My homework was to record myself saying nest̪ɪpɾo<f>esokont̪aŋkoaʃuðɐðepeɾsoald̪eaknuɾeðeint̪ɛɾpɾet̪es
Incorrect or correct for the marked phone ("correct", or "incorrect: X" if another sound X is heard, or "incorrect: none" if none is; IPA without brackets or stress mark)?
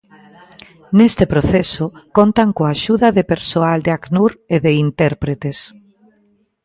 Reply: incorrect: θ